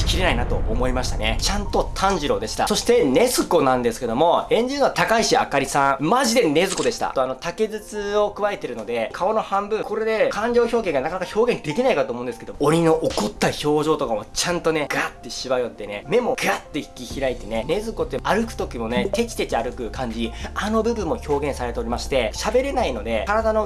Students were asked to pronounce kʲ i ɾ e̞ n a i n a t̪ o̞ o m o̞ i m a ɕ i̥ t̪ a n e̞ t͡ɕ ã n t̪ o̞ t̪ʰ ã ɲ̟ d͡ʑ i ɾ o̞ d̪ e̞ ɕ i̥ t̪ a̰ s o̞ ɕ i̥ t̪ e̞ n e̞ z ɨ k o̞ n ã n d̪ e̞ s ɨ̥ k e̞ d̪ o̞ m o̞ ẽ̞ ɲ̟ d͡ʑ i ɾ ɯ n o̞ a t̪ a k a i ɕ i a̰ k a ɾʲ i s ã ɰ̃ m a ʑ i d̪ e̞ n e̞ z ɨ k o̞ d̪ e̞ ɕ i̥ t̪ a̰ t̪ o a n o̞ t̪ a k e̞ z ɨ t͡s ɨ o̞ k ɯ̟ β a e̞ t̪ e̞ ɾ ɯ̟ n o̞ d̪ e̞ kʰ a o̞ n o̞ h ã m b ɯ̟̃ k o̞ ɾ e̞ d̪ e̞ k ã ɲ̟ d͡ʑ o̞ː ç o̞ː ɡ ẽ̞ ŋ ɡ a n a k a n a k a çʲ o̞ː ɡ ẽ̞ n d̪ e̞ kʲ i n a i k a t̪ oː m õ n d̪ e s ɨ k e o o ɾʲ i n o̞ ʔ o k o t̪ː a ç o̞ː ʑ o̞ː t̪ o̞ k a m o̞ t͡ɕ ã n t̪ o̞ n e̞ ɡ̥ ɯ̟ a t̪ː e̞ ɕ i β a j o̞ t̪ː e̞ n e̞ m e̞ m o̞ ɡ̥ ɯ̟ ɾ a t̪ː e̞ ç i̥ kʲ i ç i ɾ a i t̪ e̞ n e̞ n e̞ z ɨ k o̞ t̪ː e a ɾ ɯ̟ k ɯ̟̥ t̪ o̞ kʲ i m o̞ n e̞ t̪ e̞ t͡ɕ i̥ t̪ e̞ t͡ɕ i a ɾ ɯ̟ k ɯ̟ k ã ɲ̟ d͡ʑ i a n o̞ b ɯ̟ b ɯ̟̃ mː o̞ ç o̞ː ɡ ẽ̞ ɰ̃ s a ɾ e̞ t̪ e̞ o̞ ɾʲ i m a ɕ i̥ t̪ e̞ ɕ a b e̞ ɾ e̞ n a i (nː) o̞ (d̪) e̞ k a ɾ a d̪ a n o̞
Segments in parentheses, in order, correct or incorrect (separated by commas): incorrect, correct